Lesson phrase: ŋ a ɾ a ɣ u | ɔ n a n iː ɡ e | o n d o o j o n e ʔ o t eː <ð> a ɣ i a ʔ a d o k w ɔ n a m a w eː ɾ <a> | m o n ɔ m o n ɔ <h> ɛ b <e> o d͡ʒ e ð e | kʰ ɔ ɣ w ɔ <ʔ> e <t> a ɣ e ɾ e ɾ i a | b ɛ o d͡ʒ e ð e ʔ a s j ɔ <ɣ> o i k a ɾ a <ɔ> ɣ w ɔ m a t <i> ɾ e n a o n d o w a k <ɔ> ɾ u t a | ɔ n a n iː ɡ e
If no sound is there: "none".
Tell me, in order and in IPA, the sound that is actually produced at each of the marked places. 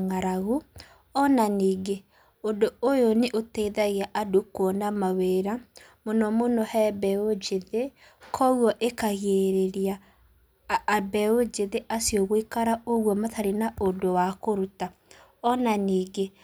ð, a, h, ɛ, ʔ, k, ɣ, o, a, o

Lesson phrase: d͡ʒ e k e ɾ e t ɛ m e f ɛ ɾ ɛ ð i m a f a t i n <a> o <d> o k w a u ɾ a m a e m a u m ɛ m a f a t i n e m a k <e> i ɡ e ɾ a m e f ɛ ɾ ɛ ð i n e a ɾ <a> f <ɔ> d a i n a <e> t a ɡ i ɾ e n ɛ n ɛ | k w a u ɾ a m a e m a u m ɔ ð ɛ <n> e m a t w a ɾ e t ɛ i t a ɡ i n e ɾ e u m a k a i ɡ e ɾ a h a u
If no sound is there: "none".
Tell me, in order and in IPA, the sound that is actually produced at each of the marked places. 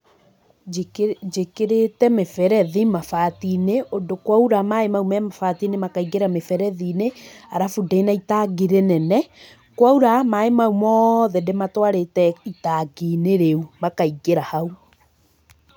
e, d, a, a, u, i, d

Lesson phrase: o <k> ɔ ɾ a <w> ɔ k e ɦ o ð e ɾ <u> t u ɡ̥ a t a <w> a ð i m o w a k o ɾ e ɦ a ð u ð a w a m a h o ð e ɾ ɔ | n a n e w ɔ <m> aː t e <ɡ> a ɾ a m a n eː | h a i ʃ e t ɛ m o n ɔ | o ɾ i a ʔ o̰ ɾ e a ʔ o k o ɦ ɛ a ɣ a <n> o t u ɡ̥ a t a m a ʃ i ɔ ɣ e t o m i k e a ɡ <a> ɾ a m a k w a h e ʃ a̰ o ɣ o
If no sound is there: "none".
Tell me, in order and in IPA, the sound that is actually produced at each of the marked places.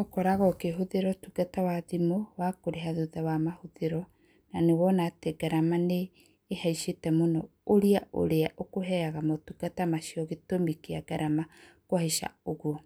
k, ɣ, ɔ, w, n, ɡ, m, a

